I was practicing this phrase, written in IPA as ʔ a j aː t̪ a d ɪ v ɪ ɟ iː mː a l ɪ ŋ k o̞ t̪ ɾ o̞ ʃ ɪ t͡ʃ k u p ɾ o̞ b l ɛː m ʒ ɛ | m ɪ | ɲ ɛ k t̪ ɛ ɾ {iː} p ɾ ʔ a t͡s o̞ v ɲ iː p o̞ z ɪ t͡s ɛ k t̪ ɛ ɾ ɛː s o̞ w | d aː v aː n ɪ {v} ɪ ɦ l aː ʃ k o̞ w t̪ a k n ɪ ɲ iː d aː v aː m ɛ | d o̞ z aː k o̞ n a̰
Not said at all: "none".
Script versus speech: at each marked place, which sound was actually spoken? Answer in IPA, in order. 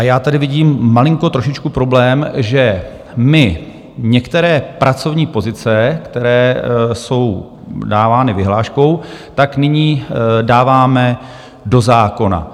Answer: ɛː, v

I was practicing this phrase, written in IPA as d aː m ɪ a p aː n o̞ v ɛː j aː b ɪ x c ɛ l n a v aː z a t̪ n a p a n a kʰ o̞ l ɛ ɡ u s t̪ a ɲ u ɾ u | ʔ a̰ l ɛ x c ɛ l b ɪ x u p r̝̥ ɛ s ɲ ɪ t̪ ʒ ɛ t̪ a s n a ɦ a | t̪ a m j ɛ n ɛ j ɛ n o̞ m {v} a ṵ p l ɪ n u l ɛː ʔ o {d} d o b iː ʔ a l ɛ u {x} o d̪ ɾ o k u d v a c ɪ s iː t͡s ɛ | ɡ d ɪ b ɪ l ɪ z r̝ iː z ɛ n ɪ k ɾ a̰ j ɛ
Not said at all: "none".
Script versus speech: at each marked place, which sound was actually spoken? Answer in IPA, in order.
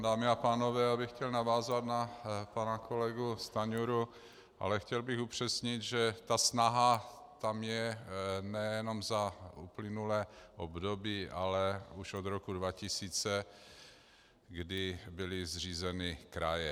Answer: z, b, ʃ

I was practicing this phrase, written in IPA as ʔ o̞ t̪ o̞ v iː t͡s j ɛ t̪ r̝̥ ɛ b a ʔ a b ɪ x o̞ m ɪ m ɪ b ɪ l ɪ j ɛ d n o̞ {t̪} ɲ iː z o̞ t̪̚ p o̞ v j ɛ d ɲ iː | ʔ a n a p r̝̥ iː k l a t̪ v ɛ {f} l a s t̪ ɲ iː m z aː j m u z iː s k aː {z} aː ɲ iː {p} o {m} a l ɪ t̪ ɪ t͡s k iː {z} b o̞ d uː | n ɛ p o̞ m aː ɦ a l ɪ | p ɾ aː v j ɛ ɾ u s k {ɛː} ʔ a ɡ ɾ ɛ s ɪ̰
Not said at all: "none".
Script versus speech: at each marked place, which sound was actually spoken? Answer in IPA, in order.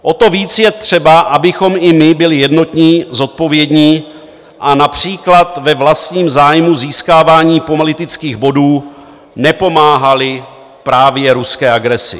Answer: t̪, v, v, p, m, ɣ, ɛː

